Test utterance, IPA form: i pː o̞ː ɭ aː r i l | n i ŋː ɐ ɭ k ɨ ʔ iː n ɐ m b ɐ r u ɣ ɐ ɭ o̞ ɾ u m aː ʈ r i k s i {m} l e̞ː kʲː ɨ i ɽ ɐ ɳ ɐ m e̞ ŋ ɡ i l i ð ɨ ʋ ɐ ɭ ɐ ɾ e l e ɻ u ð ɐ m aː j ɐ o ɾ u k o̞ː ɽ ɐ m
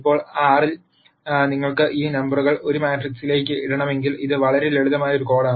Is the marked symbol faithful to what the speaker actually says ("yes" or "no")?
no